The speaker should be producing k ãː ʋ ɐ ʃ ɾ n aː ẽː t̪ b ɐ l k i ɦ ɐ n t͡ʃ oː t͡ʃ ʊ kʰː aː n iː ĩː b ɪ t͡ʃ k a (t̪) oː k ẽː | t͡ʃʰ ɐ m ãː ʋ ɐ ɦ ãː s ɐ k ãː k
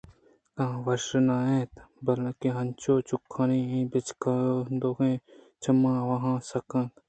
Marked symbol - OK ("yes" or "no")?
no